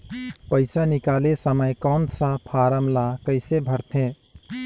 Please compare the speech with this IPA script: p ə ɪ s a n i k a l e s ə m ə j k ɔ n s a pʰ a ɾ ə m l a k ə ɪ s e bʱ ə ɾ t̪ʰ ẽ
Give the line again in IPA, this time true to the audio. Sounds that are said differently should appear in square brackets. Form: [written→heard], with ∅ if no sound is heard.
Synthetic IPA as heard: p ə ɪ s a n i k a l e s ə m ə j k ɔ n s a pʰ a ɾ ə m l a k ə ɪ s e bʱ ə ɾ t̪ʰ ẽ